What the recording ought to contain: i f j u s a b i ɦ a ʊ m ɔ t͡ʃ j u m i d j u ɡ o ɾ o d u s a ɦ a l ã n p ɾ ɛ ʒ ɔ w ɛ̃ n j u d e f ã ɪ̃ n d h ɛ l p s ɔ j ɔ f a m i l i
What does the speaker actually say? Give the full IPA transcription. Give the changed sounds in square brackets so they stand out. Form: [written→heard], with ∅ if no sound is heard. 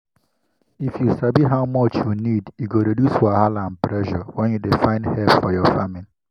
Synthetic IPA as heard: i f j u s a b i ɦ a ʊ m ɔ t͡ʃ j u [m→n] i d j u ɡ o ɾ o d u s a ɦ a l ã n p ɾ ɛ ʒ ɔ w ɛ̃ n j u d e f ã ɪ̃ n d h ɛ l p [s→f] ɔ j ɔ f a m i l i